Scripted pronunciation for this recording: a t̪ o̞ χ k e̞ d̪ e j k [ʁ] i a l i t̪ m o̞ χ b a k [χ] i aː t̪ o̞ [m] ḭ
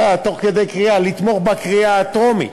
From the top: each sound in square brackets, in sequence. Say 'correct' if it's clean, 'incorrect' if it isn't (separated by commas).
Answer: correct, incorrect, correct